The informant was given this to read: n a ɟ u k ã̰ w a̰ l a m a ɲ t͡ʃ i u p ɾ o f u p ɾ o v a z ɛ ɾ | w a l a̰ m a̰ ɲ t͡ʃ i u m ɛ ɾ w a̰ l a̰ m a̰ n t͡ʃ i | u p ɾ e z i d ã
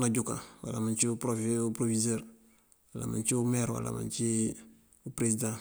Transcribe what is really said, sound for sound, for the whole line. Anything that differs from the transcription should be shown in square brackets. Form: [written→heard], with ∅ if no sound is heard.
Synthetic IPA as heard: n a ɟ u k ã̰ w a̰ l a m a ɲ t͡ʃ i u p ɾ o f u p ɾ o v [a→i] z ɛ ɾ | w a l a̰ m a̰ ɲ t͡ʃ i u m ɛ ɾ w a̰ l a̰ m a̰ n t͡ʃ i | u p ɾ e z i d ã